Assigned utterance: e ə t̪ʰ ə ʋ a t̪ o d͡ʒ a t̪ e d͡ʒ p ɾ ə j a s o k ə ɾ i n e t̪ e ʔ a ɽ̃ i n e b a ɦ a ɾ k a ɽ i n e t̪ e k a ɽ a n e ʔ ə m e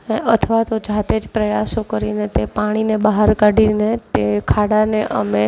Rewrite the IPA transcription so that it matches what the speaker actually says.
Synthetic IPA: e ə t̪ʰ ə ʋ a t̪ o d͡ʒ a t̪ e d͡ʒ p ɾ ə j a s o k ə ɾ i n e t̪ e p a ɽ̃ i n e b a ɦ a ɾ k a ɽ i n e t̪ e kʰ a ɽ a n e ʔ ə m e